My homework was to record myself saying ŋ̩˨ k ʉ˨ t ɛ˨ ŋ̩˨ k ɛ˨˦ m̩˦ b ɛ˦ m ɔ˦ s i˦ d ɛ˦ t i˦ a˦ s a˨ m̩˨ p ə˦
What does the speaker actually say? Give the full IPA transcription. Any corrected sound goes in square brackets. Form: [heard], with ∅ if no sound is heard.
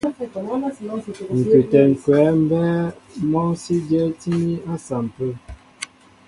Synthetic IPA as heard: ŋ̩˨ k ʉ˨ t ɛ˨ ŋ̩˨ k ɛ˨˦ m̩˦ b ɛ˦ m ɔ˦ s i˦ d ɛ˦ t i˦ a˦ s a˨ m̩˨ p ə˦